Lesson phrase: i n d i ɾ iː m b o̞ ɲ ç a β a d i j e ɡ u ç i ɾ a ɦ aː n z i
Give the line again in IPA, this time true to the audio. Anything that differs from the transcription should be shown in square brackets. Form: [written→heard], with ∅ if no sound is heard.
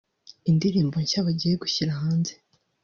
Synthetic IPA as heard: i n d i ɾ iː m b o̞ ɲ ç a β a [d→ɟ] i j e ɡ u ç i ɾ a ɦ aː n z [i→e]